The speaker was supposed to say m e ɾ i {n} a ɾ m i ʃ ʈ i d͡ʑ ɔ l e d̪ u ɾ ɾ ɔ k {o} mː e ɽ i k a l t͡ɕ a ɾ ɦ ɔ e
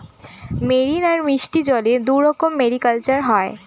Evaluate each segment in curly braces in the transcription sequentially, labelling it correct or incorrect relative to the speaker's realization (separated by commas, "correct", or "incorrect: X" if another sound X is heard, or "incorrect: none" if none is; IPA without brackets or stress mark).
correct, correct